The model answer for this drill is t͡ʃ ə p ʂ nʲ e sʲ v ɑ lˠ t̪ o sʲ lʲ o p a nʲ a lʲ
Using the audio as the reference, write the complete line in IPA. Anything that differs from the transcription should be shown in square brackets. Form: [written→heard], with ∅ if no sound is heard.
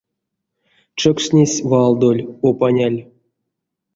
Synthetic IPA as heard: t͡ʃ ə [p→k] ʂ nʲ e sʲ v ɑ lˠ [t̪→d̪] o [sʲ→∅] lʲ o p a nʲ a lʲ